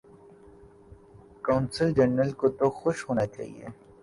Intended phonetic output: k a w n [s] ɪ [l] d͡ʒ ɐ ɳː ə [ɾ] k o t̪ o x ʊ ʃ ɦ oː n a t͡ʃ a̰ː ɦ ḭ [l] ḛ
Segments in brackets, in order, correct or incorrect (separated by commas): correct, correct, incorrect, incorrect